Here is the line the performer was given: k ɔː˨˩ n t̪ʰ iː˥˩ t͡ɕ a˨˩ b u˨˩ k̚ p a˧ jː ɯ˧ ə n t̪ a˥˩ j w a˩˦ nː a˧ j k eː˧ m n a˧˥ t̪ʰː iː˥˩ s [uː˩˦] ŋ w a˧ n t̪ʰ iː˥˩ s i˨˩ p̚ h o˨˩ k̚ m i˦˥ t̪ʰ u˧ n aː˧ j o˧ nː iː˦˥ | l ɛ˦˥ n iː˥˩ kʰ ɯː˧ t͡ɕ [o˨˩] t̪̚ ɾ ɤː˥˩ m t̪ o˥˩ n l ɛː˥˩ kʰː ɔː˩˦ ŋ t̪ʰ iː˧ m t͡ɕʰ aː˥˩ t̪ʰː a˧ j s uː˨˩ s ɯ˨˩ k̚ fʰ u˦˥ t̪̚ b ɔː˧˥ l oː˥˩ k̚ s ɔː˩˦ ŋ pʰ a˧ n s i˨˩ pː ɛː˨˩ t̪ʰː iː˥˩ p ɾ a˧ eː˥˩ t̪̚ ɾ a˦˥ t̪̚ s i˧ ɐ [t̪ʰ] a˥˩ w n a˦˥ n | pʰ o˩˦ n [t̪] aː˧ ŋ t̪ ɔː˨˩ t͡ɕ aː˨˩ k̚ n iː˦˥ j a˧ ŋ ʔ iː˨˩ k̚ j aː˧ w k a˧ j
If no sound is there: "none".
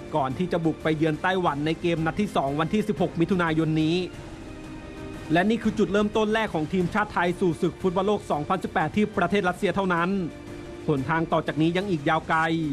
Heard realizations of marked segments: ɔː˩˦, u˨˩, t̪ʰ, t̪ʰ

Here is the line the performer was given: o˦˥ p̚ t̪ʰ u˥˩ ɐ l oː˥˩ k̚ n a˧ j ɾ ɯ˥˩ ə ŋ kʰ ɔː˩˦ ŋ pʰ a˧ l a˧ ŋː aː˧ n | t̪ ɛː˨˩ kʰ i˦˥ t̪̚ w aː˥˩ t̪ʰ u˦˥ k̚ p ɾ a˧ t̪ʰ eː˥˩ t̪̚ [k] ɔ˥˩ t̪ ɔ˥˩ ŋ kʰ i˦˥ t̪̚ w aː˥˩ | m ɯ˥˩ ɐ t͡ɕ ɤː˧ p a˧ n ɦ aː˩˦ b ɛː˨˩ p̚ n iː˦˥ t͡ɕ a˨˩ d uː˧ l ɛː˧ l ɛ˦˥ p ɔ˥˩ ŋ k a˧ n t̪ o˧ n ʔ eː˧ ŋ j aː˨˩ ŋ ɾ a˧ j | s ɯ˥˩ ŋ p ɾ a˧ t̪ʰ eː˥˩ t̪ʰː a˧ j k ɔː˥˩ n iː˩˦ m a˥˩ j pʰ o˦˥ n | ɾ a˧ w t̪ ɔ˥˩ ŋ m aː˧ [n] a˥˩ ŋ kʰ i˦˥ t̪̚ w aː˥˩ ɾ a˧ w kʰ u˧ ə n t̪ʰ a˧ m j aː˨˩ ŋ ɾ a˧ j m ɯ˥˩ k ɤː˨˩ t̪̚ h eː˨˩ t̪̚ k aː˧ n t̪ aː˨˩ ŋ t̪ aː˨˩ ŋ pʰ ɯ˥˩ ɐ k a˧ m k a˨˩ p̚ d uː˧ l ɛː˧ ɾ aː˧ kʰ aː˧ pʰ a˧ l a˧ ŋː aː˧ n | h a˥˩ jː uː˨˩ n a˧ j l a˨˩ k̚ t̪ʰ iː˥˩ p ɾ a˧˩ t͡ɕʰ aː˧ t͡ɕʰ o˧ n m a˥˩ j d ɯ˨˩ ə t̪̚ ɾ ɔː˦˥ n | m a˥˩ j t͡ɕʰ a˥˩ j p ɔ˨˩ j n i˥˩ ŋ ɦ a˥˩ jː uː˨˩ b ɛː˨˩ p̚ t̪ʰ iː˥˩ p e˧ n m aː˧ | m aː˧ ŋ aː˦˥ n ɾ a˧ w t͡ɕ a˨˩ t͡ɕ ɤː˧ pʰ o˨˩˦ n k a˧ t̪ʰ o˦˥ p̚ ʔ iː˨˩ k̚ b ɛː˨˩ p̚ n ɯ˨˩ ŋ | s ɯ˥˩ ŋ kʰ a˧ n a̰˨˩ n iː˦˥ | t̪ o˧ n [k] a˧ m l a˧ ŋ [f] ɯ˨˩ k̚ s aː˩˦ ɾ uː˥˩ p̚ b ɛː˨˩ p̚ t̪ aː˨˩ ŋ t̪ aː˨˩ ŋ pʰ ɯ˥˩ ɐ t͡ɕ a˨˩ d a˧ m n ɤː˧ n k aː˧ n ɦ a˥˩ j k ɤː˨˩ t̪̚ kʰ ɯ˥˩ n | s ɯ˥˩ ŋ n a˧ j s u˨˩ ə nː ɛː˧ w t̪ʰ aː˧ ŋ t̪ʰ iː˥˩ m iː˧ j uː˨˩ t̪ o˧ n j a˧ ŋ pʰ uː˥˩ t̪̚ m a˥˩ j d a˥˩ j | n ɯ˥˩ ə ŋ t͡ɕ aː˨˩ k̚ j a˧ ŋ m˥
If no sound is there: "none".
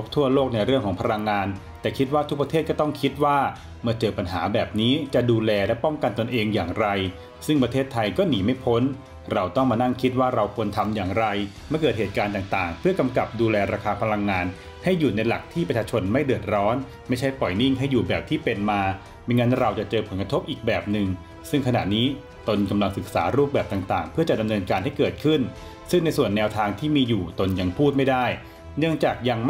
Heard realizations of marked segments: k, n, k, s

